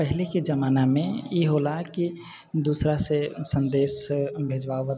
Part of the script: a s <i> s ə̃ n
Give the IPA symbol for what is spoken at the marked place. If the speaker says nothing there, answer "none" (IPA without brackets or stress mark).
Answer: e